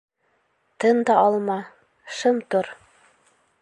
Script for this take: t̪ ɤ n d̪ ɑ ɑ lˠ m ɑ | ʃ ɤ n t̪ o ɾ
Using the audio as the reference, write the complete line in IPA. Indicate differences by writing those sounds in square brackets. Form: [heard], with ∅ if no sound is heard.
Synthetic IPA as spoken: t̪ ɤ n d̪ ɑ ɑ lˠ m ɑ | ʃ ɤ [m] t̪ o ɾ